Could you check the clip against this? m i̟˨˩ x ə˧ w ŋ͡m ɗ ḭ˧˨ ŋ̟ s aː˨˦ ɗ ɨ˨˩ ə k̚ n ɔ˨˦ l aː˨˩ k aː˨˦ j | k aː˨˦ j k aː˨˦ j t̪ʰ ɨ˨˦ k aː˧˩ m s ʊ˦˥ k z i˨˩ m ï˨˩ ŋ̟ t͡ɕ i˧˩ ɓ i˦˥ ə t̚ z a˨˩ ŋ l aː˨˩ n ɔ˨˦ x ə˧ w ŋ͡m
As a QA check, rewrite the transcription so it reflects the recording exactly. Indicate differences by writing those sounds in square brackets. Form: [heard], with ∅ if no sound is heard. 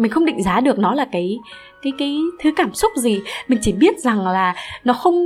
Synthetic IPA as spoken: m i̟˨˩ x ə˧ w ŋ͡m ɗ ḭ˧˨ ŋ̟ [z] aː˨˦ ɗ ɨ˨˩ ə k̚ n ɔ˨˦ l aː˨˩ k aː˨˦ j | k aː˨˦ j k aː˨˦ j t̪ʰ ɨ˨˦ k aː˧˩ m s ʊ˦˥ [k͡p̚] z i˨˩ m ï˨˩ ŋ̟ t͡ɕ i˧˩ ɓ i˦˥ ə t̚ z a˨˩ ŋ l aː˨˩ n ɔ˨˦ x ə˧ w ŋ͡m